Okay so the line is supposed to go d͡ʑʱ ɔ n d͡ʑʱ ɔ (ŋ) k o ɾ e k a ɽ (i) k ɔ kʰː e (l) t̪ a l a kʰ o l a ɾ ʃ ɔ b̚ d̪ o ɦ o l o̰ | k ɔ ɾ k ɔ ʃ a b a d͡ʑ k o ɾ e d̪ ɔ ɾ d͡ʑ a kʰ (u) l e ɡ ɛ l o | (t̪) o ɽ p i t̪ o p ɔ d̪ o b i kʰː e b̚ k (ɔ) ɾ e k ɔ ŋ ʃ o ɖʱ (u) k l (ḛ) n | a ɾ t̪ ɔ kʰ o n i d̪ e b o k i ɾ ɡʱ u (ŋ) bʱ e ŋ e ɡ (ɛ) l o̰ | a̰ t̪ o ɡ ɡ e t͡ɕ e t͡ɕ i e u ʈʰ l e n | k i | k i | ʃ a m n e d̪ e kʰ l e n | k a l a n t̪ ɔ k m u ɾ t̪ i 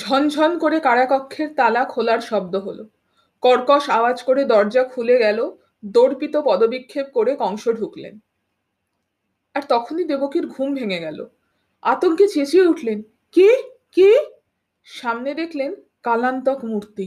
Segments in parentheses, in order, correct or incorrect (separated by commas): incorrect, incorrect, incorrect, correct, incorrect, incorrect, correct, correct, incorrect, correct